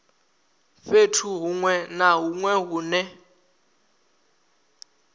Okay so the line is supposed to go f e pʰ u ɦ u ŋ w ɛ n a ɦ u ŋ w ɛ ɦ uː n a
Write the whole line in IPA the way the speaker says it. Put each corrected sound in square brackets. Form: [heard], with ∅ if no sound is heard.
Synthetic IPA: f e [tʰ] u ɦ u ŋ w ɛ n a ɦ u ŋ w ɛ ɦ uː n [ɛ]